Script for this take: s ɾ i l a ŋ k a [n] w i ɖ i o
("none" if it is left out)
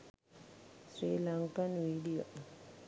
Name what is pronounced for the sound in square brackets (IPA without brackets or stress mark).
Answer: n